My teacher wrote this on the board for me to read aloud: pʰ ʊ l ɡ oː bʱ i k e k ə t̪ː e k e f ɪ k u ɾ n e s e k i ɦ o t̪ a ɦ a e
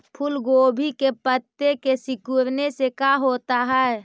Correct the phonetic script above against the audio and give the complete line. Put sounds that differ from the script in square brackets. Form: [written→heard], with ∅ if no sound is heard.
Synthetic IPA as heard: pʰ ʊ l ɡ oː bʱ i k e [k→p] ə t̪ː e k e [f→s] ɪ k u ɾ n e s e k [i→a] ɦ o t̪ a ɦ [a→ɛ] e